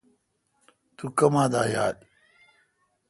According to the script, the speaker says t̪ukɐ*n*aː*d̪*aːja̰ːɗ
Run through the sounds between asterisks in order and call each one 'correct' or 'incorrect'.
incorrect, correct

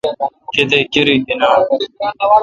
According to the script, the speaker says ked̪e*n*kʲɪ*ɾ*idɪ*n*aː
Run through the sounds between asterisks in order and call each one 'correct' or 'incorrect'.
incorrect, correct, correct

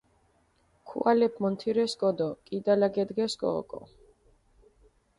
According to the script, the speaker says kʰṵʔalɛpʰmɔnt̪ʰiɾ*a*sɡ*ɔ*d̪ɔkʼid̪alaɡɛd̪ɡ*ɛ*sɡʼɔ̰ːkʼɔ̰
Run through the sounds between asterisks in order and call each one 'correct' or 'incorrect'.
incorrect, correct, correct

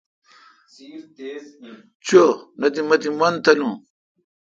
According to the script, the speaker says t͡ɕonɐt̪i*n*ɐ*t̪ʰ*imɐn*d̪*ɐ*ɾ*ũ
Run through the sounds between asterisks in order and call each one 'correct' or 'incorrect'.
incorrect, incorrect, incorrect, incorrect

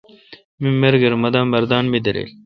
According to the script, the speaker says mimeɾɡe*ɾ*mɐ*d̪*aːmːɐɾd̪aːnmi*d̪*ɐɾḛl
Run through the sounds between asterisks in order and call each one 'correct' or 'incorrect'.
correct, correct, correct

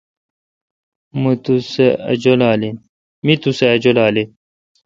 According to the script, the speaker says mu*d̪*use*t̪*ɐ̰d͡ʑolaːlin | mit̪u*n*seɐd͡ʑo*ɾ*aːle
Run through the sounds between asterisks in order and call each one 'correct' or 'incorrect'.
incorrect, incorrect, incorrect, incorrect

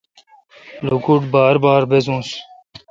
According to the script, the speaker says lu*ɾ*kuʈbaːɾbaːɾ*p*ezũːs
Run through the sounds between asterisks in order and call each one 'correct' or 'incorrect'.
incorrect, incorrect

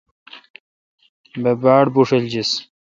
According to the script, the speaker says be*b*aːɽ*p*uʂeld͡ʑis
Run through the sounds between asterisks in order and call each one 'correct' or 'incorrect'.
correct, incorrect

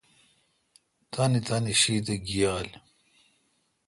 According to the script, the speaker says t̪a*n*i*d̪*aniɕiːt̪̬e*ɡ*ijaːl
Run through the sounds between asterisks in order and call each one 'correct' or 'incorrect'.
correct, incorrect, correct

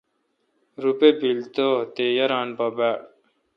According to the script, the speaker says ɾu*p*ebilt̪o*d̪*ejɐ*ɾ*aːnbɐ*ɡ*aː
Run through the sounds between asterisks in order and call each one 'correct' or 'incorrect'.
correct, incorrect, correct, incorrect

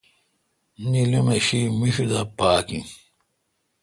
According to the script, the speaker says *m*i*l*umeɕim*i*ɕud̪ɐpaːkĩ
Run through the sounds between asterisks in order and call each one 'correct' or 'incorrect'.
incorrect, correct, correct

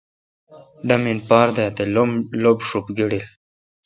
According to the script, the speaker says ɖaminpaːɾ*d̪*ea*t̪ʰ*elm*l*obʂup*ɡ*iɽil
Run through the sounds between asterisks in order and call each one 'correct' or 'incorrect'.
correct, incorrect, correct, correct

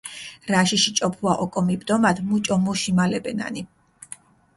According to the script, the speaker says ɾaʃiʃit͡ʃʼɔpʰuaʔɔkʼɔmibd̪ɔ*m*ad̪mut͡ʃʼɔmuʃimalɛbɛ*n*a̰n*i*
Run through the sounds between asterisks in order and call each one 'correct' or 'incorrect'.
correct, correct, correct

